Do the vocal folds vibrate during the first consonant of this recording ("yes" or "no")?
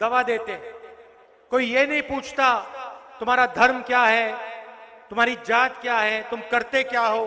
yes